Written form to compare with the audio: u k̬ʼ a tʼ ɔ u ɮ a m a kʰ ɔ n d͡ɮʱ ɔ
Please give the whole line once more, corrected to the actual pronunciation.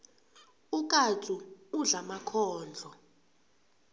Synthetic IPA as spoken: u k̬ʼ a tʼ u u ɮ a m a kʰ ɔː n d͡ɮʱ ɔ